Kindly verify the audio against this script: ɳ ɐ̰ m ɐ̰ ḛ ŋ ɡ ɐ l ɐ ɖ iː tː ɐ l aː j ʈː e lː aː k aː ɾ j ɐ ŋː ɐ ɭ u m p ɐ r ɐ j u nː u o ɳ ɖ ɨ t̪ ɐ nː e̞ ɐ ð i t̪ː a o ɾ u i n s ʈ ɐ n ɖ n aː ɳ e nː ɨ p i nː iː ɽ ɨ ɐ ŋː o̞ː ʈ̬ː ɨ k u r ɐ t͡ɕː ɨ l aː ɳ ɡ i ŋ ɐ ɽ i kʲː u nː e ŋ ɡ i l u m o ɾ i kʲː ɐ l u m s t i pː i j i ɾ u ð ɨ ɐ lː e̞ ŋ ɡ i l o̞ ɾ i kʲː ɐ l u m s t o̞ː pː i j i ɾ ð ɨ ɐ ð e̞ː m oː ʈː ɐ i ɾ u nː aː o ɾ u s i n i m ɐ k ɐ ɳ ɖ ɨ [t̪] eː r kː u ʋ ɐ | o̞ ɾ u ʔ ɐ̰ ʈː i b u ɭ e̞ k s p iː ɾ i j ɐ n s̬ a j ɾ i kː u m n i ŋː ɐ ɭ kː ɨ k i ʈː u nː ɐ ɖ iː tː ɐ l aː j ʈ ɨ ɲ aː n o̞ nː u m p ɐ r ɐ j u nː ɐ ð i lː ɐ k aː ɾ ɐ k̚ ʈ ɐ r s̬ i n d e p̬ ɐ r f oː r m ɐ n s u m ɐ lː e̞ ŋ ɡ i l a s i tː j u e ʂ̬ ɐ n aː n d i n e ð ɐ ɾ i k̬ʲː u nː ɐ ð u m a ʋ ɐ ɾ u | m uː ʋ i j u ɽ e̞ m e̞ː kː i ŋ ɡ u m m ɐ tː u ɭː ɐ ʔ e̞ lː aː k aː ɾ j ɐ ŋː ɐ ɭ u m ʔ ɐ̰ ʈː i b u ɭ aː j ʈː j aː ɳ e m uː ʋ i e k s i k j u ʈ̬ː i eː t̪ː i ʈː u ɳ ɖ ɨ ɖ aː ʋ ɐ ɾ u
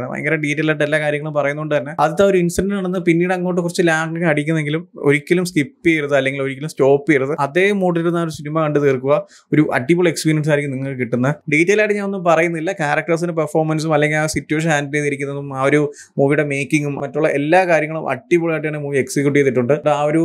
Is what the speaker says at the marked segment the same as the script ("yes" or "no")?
yes